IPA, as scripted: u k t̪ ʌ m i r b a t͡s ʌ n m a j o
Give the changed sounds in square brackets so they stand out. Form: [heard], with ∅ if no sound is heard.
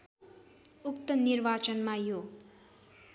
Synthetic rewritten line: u k t̪ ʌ [n] i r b a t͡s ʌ n m a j o